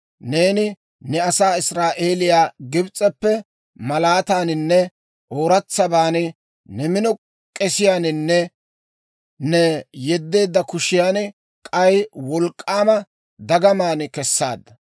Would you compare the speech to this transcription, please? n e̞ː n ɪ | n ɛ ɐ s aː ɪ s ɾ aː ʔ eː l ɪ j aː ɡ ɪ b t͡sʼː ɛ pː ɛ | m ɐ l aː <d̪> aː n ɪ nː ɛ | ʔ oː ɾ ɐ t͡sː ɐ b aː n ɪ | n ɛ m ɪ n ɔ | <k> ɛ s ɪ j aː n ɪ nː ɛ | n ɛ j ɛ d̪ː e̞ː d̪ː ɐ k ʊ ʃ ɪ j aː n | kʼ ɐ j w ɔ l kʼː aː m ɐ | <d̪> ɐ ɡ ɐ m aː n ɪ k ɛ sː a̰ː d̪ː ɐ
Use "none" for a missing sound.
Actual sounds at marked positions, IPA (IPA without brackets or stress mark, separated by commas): t̪, kʼ, d̪